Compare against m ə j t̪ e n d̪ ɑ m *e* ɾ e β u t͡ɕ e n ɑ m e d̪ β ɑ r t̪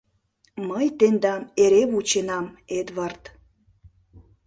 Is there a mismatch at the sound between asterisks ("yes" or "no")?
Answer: no